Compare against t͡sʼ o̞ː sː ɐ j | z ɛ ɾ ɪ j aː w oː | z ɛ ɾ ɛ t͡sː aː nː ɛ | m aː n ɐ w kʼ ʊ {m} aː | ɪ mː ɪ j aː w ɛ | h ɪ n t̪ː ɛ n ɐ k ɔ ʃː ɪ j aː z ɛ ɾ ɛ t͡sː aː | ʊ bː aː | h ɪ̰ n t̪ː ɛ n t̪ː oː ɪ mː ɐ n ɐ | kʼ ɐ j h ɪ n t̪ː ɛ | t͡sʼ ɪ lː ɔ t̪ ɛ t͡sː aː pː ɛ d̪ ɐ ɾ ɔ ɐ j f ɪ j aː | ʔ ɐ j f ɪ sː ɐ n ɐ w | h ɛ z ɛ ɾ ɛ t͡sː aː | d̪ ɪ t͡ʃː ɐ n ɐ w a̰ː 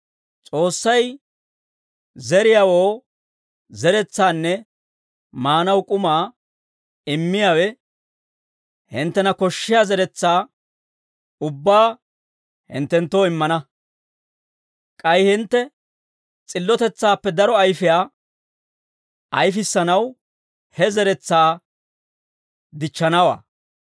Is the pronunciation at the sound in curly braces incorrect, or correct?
correct